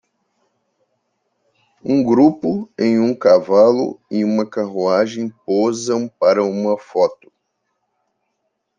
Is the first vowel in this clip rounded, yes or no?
yes